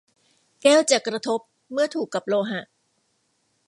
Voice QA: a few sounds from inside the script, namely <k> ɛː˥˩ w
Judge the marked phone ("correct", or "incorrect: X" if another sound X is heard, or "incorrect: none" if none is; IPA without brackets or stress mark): correct